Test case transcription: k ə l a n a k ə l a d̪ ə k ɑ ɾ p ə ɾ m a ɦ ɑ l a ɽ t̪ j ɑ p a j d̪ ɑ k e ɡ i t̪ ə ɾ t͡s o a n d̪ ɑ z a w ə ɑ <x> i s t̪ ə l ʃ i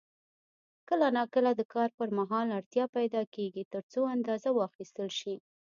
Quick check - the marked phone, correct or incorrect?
correct